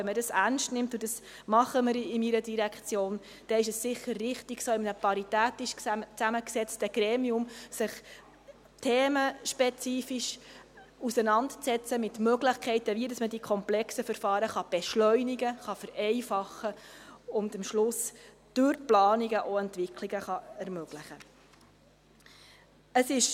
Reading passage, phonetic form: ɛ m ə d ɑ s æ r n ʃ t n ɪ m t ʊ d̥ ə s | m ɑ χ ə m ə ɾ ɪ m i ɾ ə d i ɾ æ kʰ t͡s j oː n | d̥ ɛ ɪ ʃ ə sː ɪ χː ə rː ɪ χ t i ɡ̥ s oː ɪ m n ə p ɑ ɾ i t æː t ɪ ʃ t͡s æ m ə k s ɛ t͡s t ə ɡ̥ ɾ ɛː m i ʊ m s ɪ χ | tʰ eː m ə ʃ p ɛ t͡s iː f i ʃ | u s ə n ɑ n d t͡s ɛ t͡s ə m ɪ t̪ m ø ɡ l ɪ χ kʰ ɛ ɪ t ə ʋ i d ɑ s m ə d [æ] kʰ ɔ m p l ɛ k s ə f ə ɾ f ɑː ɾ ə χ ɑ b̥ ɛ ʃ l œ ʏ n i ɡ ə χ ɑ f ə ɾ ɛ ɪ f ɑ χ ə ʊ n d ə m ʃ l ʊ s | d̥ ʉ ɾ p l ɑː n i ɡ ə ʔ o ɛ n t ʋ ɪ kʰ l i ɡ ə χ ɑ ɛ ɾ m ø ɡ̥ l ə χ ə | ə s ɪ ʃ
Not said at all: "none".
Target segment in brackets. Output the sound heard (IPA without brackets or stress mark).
i